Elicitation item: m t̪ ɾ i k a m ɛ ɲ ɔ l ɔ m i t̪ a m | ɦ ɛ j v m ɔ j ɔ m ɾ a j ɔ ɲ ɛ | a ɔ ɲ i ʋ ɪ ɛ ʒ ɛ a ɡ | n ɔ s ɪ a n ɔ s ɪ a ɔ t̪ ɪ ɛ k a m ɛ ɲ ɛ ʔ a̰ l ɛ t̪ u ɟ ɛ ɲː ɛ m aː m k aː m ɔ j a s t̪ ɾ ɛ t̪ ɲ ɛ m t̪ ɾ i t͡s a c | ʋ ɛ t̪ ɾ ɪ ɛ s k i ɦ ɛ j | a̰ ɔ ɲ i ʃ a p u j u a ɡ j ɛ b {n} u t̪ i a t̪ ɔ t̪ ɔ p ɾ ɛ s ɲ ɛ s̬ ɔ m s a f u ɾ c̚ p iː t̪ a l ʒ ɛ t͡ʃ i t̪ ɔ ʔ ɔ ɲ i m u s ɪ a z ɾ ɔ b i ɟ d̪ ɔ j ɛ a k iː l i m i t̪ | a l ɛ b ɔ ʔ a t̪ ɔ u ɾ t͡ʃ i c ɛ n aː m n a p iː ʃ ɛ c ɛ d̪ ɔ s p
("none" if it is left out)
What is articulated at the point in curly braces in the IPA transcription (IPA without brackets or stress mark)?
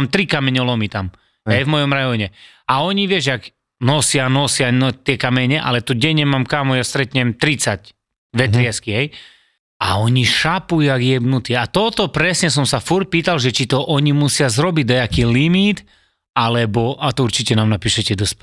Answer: n